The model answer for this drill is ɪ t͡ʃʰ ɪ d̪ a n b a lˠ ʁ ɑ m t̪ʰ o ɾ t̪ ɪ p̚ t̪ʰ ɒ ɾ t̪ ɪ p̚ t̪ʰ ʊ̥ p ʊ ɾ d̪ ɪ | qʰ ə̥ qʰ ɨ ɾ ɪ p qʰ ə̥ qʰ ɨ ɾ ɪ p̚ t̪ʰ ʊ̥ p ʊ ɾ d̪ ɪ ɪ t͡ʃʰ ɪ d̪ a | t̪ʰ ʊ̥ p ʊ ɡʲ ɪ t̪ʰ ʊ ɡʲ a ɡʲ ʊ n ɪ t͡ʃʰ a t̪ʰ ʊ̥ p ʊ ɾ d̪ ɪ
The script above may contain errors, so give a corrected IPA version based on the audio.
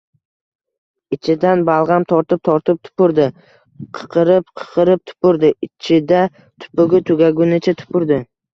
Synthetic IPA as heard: ɪ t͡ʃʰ ɪ d̪ a n b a lˠ ʁ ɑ m t̪ʰ ɒ ɾ t̪ ɪ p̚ t̪ʰ ɒ ɾ t̪ ɪ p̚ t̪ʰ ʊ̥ p ʊ ɾ d̪ ɪ | qʰ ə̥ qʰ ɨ ɾ ɪ p qʰ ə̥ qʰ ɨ ɾ ɪ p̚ t̪ʰ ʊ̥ p ʊ ɾ d̪ ɪ ɪ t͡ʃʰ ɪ d̪ a | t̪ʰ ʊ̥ p ʊ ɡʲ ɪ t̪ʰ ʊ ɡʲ a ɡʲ ʊ n ɪ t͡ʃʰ a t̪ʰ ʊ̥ p ʊ ɾ d̪ ɪ